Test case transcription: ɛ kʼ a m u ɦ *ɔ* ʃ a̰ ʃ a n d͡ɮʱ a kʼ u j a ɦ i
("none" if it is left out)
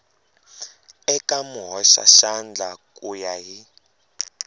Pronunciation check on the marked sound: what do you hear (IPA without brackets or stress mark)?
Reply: ɔ